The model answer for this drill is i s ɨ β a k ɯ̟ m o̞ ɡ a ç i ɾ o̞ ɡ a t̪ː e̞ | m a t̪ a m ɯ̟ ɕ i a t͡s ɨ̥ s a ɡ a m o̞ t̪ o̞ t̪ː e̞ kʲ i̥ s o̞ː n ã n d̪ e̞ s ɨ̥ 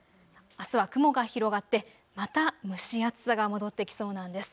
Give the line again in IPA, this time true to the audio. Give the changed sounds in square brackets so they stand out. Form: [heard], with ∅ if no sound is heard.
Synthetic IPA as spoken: [a] s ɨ β a k ɯ̟ m o̞ ɡ a ç i ɾ o̞ ɡ a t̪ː e̞ | m a t̪ a m ɯ̟ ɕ i a t͡s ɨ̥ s a ɡ a m o̞ [d̪] o̞ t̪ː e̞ kʲ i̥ s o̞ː n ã n d̪ e̞ s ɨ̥

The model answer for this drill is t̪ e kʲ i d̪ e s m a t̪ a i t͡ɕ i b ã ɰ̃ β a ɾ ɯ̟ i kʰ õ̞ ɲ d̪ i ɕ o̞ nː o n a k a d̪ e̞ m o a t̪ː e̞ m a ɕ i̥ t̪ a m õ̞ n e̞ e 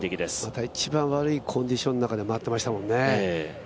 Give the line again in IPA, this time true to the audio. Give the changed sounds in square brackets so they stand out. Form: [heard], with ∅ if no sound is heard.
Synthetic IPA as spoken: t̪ e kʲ i d̪ e s m a t̪ a i t͡ɕ i b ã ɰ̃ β a ɾ ɯ̟ i kʰ õ̞ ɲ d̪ i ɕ o̞ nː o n a k a d̪ e̞ m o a t̪ː e̞ m a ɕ i̥ t̪ a m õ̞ [nː] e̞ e

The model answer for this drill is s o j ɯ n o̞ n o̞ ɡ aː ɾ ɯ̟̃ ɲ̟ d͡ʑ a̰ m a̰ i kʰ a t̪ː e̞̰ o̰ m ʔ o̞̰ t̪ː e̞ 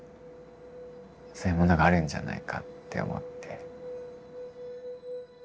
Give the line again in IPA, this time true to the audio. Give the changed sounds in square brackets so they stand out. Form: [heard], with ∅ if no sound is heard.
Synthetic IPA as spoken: s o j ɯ [m] o̞ n o̞ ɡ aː ɾ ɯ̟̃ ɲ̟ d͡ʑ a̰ [n] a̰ i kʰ a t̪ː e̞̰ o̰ m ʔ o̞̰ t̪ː e̞

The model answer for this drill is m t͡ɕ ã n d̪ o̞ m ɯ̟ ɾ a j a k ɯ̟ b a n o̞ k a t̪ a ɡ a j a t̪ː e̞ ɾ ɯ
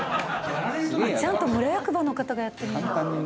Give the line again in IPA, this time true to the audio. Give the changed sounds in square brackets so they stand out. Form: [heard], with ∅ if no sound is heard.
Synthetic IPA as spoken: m t͡ɕ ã n [t̪] o̞ m ɯ̟ ɾ a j a k ɯ̟ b a n o̞ k a t̪ a ɡ a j a t̪ː e̞ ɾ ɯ

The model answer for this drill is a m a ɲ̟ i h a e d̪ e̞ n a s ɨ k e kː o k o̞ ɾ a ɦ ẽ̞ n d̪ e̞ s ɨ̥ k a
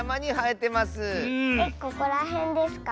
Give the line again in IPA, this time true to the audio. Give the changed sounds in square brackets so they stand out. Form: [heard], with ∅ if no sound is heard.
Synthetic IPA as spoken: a m a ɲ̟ i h a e [t̪] e̞ [m] a s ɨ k e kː o k o̞ ɾ a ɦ ẽ̞ n d̪ e̞ s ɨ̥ k a

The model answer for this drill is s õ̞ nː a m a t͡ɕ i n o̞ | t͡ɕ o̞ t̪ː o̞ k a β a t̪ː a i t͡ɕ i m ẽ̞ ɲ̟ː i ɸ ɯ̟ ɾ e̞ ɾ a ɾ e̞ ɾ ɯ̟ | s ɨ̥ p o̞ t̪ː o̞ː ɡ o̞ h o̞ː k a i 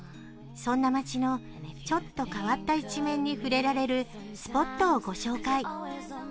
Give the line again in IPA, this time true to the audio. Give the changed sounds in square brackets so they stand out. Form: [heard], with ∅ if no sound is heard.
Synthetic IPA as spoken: s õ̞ nː a m a t͡ɕ i n o̞ | t͡ɕ o̞ t̪ː o̞ k a β a t̪ː a i t͡ɕ i m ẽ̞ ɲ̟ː i ɸ ɯ̟ ɾ e̞ ɾ a ɾ e̞ ɾ ɯ̟ | s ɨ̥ p o̞ t̪ː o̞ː ɡ o̞ [ɕ] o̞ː k a i

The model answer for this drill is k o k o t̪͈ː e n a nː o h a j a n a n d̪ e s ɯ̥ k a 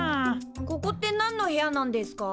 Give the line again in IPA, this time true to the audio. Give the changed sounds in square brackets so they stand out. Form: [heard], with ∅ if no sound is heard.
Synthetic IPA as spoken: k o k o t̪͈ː e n a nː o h [e] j a n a n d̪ e s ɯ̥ k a

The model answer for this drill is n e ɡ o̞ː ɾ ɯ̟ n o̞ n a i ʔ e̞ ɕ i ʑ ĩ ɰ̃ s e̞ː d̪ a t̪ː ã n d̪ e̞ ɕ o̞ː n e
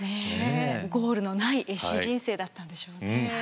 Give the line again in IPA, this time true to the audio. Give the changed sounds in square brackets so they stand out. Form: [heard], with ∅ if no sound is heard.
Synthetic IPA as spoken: n e ɡ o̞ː ɾ ɯ̟ n o̞ n a i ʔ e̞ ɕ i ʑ ĩ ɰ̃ s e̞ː d̪ a t̪ː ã n d̪ e̞ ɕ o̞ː n e

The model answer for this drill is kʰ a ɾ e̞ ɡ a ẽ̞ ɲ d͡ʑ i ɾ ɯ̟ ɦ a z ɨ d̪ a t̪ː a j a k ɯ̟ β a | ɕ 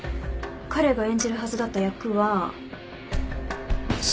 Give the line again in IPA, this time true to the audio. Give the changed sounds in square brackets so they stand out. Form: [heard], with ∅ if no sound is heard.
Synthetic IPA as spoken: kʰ a ɾ e̞ ɡ a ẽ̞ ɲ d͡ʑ i ɾ ɯ̟ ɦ a z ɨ d̪ a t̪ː a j a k ɯ̟ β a | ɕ

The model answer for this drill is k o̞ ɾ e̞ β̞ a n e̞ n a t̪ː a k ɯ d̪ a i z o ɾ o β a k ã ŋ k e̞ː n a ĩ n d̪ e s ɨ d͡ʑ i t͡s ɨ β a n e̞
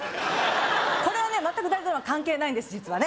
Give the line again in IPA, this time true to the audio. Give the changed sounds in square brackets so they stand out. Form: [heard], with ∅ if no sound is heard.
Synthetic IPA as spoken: k o̞ ɾ e̞ β̞ a n e̞ [m] a t̪ː a k ɯ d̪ a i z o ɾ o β a k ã ŋ k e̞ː n a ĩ n d̪ e s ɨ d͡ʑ i t͡s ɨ β a n e̞

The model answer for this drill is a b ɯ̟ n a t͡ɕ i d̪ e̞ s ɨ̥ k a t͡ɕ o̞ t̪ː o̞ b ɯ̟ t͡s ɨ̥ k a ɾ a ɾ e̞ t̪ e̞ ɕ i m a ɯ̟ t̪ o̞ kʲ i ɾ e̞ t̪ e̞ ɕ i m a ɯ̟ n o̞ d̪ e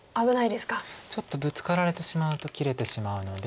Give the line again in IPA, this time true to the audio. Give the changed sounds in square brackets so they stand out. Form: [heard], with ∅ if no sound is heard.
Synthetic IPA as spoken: a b ɯ̟ n a [∅] i d̪ e̞ s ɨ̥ k a t͡ɕ o̞ t̪ː o̞ b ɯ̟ t͡s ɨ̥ k a ɾ a ɾ e̞ t̪ e̞ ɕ i m a ɯ̟ t̪ o̞ kʲ i ɾ e̞ t̪ e̞ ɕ i m a ɯ̟ n o̞ d̪ e

